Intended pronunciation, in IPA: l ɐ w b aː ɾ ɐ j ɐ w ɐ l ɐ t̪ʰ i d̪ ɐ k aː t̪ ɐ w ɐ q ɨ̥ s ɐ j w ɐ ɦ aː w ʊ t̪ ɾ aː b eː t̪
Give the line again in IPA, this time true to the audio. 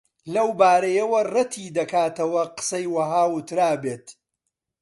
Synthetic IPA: l ɐ w b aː ɾ ɐ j ɐ w ɐ r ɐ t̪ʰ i d̪ ɐ k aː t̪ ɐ w ɐ q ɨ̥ s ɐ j w ɐ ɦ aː w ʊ t̪ ɾ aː b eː t̪

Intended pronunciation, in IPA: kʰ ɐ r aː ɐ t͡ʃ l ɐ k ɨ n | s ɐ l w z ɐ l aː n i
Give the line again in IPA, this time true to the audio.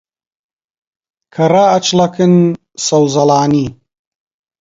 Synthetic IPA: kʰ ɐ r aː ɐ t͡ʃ l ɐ k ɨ n | s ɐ w z ɐ l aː n i

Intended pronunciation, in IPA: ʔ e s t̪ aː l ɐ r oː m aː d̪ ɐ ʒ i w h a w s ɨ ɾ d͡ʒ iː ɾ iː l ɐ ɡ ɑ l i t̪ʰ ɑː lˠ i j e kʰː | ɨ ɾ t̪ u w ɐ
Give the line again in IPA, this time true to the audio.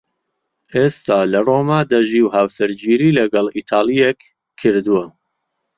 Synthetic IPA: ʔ e s t̪ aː l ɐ r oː m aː d̪ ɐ ʒ i w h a w s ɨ ɾ d͡ʒ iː ɾ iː l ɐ ɡ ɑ l i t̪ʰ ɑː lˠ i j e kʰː | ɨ ɾ d̪ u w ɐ

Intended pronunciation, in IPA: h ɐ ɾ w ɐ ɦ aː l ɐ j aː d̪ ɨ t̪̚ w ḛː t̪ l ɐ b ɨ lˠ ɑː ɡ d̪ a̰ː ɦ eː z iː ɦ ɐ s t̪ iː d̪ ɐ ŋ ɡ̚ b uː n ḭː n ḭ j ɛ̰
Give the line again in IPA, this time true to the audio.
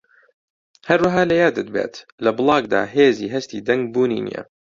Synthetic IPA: h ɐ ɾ w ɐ ɦ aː l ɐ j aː d̪ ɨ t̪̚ b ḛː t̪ l ɐ b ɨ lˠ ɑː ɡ d̪ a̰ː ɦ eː z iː ɦ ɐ s t̪ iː d̪ ɐ ŋ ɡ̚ b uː n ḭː n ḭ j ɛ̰

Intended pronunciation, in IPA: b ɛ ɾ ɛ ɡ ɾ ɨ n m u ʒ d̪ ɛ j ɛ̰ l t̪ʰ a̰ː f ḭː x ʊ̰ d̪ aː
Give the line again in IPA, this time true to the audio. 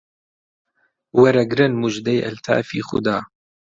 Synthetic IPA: w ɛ ɾ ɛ ɡ ɾ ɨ n m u ʒ d̪ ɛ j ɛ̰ l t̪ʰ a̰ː f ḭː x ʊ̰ d̪ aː

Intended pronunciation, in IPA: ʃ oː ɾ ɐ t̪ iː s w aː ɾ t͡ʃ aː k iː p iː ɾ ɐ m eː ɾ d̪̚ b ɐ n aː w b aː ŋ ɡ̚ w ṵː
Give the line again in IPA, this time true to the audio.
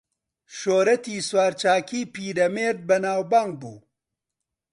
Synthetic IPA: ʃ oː ɾ ɐ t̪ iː s w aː ɾ t͡ʃ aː k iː p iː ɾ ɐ m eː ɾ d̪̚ b ɐ n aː w b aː ŋ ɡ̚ b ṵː

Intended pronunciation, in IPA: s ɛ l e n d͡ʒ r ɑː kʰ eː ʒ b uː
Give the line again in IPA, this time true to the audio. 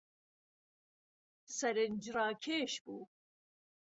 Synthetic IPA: s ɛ ɾ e n d͡ʒ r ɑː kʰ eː ʃ b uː

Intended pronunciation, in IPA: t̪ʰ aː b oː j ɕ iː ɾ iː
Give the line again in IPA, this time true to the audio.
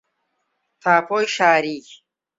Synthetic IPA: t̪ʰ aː p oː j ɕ aː ɾ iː

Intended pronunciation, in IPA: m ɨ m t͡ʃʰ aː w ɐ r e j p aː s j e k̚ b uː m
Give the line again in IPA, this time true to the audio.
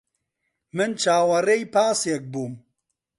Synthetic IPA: m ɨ n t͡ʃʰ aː w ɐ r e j p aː s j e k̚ b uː m

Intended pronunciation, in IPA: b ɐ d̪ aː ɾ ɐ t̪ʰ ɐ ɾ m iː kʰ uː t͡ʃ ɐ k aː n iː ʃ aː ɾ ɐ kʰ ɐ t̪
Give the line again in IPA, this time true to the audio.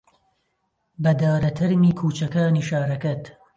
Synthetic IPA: b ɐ d̪ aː ɾ ɐ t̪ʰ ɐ ɾ m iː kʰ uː t͡ʃ ɐ k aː n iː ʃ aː ɾ ɐ k ɐ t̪

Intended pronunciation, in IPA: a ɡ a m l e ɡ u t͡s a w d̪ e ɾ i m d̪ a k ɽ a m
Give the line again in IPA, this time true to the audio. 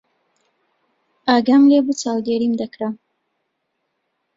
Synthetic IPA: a ɡ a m l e b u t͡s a w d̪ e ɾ i m d̪ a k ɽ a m

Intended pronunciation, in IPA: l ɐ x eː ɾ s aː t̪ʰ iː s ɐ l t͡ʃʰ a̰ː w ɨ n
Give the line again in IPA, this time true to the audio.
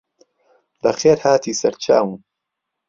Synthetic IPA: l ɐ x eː ɾ h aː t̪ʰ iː s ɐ ɾ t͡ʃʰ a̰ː w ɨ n

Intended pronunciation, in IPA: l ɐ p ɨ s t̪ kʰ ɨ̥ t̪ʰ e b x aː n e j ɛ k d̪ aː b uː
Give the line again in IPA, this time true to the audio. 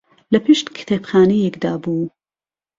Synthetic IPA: l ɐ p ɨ ʃ t̪ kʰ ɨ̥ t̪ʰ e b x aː n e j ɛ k d̪ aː b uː

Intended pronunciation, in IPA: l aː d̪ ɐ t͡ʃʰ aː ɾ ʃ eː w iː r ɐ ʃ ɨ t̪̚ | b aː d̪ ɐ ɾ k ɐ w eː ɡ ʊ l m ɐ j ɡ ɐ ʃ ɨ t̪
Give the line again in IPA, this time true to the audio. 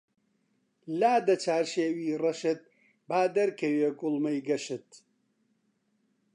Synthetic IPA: l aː d̪ ɐ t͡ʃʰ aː ɾ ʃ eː w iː r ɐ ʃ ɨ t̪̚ | b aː d̪ ɐ ɾ k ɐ w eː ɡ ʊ l m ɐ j ɡ ɐ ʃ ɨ t̪

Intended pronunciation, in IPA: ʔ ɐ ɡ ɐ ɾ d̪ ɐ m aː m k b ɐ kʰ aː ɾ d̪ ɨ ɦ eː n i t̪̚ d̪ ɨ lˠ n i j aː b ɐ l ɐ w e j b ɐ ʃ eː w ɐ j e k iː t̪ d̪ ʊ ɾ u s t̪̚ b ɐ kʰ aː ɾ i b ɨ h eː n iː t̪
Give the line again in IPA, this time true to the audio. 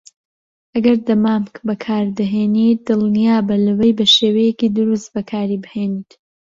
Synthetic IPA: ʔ ɐ ɡ ɐ ɾ d̪ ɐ m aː m k b ɐ kʰ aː ɾ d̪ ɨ ɦ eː n i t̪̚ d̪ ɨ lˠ n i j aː b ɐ l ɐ w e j b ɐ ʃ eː w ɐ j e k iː d̪ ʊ ɾ u s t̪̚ b ɐ kʰ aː ɾ i b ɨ h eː n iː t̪

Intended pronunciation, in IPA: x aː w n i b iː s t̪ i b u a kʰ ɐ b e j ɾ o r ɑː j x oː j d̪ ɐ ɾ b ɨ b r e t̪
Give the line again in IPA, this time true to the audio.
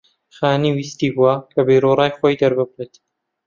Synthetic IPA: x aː n i w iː s t̪ i b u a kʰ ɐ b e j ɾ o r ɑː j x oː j d̪ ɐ ɾ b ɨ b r e t̪

